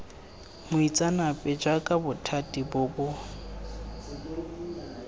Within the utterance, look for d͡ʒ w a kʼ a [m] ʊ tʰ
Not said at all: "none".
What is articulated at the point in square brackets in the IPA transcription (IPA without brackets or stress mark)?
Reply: b